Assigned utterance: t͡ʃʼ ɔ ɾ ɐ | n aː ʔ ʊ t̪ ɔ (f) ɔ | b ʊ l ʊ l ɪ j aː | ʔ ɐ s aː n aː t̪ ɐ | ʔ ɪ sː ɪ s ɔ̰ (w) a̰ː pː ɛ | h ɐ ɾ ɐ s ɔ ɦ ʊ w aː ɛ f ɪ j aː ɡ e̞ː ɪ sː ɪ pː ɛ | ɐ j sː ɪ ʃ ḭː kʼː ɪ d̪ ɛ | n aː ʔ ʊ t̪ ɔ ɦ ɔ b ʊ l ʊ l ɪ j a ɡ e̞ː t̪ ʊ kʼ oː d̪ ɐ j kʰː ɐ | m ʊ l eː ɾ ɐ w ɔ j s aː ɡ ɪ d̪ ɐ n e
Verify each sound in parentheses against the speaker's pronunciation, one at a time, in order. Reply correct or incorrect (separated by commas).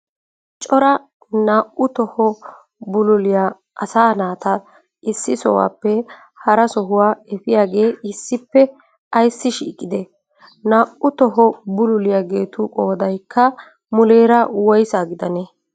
incorrect, correct